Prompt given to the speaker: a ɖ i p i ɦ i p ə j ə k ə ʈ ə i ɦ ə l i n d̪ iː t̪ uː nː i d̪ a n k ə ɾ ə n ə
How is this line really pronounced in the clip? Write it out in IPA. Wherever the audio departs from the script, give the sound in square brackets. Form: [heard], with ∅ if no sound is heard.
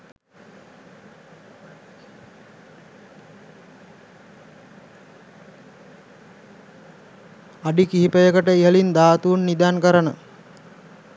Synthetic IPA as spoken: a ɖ i [k] i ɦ i p ə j ə k ə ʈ ə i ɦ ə l i n d̪ [aː] t̪ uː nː i d̪ a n k ə ɾ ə n ə